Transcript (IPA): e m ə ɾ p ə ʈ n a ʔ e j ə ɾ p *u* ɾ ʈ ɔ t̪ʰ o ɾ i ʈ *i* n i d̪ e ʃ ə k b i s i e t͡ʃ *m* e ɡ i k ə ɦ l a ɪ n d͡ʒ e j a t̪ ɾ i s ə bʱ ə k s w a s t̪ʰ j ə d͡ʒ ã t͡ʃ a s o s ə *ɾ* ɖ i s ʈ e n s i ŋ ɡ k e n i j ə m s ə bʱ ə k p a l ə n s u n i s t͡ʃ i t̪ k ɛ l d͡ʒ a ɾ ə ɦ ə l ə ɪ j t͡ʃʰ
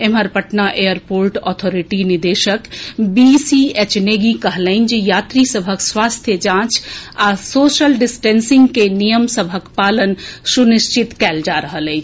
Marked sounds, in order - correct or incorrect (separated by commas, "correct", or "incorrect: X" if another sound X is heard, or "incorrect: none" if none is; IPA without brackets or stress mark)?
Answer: incorrect: o, correct, incorrect: n, incorrect: l